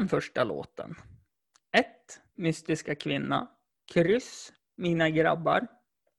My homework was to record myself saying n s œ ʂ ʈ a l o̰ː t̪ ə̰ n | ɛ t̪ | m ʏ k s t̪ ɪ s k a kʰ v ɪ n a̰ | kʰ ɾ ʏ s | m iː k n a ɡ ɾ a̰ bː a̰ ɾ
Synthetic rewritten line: n f œ ʂ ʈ a l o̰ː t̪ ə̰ n | ɛ t̪ | m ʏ s t̪ ɪ s k a kʰ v ɪ nː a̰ | kʰ ɾ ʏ s | m iː n a ɡ ɾ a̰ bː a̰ ɾ